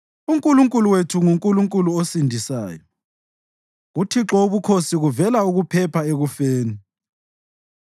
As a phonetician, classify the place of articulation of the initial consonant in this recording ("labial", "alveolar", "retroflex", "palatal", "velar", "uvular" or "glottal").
velar